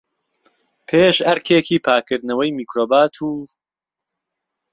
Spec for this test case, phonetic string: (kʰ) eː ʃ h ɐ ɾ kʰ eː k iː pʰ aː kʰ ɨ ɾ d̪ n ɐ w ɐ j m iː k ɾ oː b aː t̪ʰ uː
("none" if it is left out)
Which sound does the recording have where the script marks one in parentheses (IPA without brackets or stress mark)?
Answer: pʰ